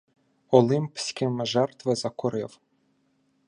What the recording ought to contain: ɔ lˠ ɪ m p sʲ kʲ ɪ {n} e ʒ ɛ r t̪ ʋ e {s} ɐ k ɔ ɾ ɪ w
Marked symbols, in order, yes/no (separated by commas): no, no